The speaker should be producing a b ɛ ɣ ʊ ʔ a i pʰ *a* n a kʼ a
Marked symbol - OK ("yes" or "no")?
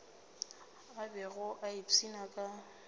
no